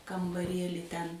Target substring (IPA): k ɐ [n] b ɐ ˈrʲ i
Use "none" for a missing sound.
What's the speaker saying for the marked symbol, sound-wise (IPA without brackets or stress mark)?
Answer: m